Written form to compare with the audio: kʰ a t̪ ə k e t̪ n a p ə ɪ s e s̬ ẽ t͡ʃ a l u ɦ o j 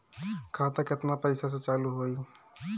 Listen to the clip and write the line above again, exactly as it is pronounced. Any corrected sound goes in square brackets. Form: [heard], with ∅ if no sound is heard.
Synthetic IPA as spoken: kʰ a t̪ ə k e t̪ n a p ə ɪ s [a] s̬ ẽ t͡ʃ a l u ɦ o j

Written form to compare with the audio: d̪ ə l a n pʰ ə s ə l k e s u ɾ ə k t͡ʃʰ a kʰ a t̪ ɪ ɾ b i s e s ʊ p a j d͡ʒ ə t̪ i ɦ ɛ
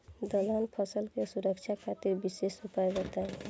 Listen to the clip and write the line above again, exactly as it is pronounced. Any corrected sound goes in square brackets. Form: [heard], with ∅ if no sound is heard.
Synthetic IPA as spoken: d̪ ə l a n pʰ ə s ə l k e s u ɾ ə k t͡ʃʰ a kʰ a t̪ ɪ ɾ b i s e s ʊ p a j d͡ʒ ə t̪ [a] ɦ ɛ

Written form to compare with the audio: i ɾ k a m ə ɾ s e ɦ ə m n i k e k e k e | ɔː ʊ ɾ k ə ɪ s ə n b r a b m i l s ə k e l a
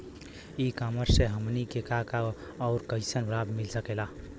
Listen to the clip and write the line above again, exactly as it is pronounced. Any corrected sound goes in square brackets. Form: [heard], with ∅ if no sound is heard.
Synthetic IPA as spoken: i [∅] k a m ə ɾ s e ɦ ə m n i k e k [a] k [a] | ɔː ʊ ɾ k ə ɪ s ə n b [ɾ] a b m i l s ə k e l a

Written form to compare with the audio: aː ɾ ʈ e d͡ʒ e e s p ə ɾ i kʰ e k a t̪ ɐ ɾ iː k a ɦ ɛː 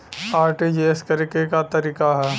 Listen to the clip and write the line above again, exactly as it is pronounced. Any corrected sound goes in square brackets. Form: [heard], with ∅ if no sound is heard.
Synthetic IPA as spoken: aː ɾ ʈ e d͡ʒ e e s [k] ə ɾ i [k] e k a t̪ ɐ ɾ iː k a ɦ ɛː

